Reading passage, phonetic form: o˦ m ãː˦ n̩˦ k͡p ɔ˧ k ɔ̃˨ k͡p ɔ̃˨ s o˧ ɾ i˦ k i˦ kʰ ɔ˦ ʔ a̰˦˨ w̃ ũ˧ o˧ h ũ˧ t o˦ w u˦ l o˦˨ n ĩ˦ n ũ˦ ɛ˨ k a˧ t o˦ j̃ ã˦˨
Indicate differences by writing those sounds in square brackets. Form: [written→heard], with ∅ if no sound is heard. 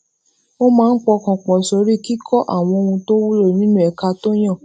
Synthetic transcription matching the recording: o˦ m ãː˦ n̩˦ k͡p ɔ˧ k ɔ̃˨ k͡p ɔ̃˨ s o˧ ɾ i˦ k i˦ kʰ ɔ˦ ʔ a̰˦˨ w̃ [ũ˧→ɔ̃˧] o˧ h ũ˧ t o˦ w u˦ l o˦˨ n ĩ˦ n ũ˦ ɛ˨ k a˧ t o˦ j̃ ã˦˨

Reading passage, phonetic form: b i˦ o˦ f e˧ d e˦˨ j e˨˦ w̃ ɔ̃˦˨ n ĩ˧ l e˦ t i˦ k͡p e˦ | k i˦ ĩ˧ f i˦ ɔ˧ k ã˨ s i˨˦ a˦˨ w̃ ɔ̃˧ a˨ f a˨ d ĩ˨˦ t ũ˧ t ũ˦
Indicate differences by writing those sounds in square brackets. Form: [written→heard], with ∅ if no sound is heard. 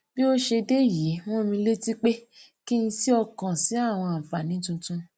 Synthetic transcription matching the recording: b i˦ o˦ [f→ʃ] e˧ d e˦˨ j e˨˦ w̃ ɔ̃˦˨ [n→m] ĩ˧ l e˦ t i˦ k͡p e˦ | k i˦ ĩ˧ [f→s] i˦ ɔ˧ k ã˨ s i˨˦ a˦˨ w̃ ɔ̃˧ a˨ f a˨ [d→n] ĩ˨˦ t ũ˧ t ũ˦

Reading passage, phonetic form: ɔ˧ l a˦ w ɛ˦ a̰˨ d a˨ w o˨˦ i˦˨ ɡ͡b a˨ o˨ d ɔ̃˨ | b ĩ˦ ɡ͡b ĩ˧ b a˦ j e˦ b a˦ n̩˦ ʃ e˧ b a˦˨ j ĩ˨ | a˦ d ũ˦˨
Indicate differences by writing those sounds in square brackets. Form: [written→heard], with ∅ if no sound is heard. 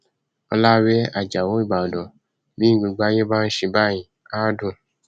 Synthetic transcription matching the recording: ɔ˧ l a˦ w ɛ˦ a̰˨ [d→d͡ʒ] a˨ w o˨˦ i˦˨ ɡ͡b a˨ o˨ d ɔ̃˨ | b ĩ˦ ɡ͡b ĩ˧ [b→ɡ͡b] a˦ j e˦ b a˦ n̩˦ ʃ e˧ b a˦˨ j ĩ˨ | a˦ d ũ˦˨

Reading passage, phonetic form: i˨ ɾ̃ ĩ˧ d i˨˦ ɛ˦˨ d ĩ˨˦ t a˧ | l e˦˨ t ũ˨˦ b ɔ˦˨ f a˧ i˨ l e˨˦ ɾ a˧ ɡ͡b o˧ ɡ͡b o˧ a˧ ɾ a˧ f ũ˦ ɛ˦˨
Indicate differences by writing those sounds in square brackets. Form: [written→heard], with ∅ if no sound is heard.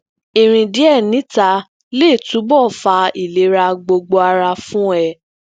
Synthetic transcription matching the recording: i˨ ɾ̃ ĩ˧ d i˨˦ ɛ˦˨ [d→n] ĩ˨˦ t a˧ | l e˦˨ t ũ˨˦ b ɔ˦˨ f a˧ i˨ l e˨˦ ɾ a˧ ɡ͡b o˧ ɡ͡b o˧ a˧ ɾ a˧ f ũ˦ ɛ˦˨

